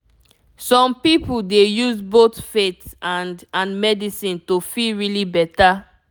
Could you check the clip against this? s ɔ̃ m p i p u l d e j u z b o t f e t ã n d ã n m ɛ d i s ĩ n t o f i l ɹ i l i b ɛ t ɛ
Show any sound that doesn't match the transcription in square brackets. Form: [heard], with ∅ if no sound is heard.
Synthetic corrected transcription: s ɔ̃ m p i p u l d e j u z b o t f e t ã n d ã n m ɛ d i s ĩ n t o f i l ɹ i l i b ɛ t [a]